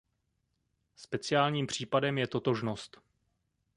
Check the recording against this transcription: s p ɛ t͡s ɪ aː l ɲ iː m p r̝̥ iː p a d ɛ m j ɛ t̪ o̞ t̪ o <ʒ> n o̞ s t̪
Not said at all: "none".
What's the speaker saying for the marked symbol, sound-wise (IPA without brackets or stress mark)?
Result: ʒ